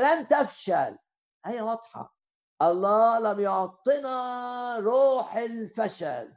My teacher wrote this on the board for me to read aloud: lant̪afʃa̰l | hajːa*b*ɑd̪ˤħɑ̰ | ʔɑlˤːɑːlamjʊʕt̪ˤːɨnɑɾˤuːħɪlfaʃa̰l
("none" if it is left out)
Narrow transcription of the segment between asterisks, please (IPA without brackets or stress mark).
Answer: w